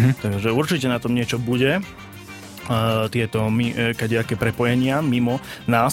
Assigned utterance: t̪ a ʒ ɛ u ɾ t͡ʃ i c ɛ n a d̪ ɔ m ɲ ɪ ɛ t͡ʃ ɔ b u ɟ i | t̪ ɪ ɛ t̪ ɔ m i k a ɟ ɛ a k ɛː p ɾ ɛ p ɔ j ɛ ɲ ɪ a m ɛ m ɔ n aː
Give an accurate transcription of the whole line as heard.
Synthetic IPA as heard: t̪ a ʒ ɛ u ɾ t͡ʃ i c ɛ n a t̪ ɔ m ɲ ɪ ɛ t͡ʃ ɔ b u ɟ ɛ | t̪ ɪ ɛ t̪ ɔ m i k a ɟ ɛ a k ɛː p ɾ ɛ p ɔ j ɛ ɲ ɪ a m i m ɔ n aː